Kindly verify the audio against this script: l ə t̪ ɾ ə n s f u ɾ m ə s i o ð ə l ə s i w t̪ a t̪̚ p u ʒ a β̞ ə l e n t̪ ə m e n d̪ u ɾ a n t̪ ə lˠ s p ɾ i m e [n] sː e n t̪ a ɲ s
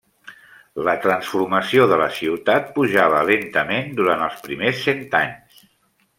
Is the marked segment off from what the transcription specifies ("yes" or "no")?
yes